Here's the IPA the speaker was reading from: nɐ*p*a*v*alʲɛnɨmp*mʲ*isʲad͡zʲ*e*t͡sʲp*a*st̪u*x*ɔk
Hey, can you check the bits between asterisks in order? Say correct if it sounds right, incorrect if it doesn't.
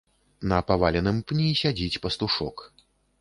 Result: correct, correct, incorrect, incorrect, incorrect, incorrect

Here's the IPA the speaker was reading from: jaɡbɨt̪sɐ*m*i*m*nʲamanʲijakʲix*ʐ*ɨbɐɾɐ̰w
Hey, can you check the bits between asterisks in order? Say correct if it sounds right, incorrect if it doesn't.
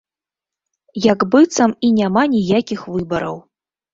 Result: correct, incorrect, incorrect

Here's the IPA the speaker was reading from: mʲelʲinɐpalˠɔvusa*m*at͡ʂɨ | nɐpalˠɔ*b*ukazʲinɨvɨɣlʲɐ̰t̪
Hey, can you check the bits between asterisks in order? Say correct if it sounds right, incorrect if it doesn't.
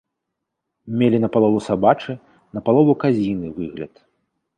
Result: incorrect, incorrect

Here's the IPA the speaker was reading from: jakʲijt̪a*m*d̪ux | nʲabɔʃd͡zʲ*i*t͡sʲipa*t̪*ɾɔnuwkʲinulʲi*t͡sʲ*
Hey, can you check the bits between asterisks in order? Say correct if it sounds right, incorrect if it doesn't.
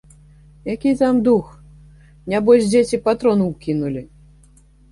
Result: correct, incorrect, correct, incorrect

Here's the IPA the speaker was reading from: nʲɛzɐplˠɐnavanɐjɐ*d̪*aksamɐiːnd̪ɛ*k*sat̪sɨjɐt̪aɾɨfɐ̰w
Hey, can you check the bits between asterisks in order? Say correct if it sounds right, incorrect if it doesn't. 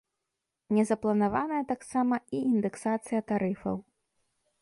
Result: incorrect, correct

